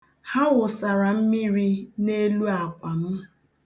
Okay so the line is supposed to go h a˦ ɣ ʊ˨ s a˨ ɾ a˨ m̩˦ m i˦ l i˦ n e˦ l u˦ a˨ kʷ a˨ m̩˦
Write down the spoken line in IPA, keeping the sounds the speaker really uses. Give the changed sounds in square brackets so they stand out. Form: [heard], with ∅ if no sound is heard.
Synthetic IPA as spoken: h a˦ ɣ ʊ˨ s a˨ ɾ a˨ m̩˦ m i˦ [ɾ] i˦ n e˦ l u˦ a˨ kʷ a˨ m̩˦